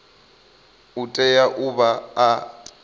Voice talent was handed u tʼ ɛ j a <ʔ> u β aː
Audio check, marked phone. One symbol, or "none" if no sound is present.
ʔ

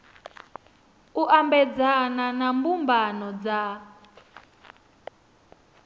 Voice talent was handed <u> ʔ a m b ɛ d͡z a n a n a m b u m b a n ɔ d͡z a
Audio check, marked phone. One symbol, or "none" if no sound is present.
u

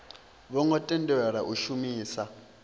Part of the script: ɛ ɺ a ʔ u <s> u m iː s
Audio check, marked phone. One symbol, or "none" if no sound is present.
ʃ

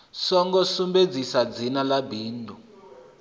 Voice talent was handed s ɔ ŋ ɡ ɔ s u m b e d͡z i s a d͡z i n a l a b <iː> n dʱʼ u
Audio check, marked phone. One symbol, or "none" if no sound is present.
iː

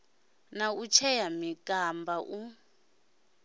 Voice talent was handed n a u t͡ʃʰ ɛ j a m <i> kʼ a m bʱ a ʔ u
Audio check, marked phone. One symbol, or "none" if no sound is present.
i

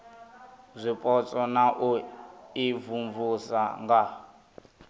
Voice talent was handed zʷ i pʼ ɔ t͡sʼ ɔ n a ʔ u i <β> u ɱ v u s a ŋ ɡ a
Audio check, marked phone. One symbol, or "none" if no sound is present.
v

